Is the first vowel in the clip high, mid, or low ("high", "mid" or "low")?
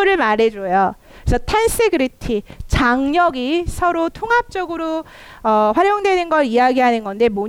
high